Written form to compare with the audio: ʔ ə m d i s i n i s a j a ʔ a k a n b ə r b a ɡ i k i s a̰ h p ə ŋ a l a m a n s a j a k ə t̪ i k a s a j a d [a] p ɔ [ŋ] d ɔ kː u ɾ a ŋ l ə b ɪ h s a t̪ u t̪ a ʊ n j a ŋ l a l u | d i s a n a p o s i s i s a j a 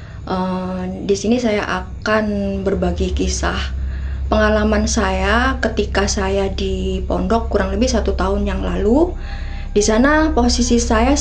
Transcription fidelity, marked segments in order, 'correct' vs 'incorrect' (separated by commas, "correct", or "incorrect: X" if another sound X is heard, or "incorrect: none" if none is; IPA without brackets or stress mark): incorrect: i, incorrect: n